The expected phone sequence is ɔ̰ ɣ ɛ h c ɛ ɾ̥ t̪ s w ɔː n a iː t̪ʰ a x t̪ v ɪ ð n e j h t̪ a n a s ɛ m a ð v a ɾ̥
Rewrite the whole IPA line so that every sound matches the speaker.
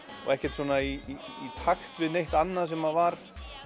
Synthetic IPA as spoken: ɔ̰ ɣ ɛ h c ɛ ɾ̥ t̪ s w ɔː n a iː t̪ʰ a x t̪ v ɪ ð n e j h t̪ a nː a s ɛ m a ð v a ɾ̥